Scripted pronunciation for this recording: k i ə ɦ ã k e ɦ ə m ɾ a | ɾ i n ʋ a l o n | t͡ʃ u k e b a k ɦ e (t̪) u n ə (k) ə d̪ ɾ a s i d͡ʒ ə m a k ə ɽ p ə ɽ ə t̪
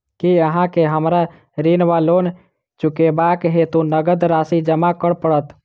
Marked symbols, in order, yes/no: yes, no

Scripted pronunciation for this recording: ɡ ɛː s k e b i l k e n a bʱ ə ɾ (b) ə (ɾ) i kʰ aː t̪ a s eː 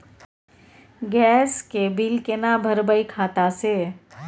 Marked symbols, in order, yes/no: yes, no

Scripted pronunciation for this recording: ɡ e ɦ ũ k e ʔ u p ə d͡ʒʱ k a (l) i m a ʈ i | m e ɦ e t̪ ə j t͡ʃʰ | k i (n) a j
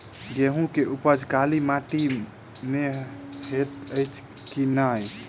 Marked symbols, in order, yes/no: yes, yes

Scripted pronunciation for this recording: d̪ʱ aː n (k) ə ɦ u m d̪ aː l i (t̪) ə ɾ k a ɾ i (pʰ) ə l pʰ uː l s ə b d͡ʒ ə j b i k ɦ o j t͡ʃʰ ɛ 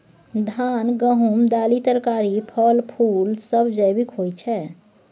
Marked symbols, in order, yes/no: no, yes, yes

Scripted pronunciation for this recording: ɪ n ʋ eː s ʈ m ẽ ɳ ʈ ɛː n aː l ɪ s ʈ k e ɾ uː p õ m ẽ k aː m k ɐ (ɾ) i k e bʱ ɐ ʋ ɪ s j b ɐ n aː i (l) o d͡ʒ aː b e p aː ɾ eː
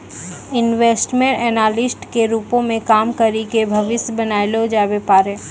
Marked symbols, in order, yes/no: yes, yes

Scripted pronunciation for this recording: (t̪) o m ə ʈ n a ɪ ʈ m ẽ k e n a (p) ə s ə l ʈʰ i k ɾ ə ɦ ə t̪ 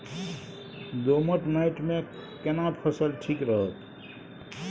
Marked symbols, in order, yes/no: no, no

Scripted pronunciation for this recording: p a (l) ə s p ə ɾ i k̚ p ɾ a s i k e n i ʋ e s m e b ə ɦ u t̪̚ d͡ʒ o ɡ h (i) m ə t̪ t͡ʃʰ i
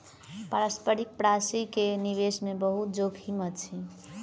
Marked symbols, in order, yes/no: no, yes

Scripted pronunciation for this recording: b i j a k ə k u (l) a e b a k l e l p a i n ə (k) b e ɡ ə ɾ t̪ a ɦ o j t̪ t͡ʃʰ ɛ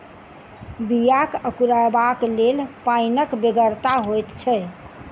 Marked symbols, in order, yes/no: no, yes

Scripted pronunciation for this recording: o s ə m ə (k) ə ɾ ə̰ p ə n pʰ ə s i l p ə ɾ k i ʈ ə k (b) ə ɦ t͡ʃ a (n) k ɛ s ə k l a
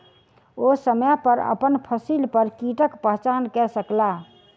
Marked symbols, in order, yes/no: no, no, yes

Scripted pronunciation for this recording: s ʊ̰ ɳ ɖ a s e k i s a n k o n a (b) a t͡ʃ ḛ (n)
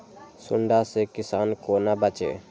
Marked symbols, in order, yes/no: yes, no

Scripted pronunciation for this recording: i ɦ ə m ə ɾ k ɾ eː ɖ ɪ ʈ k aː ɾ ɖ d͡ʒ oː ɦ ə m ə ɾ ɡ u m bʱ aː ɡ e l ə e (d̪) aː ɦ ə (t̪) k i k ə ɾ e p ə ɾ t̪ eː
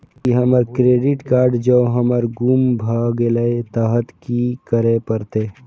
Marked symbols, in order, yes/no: no, yes

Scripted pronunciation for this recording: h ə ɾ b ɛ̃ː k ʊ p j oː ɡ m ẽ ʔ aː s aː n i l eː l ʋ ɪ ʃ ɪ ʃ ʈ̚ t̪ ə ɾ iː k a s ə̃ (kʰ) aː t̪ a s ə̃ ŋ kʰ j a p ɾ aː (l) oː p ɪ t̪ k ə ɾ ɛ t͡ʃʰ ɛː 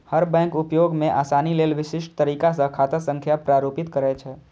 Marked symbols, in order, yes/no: yes, no

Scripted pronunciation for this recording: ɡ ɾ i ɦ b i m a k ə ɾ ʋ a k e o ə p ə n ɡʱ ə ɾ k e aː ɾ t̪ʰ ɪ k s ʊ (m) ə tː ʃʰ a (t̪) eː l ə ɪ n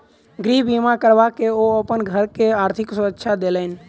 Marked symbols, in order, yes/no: no, no

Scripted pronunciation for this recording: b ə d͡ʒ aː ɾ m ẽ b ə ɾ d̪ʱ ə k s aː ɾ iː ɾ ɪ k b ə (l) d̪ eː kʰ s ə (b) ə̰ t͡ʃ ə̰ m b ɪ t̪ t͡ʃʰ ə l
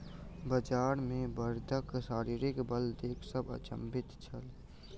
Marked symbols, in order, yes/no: yes, yes

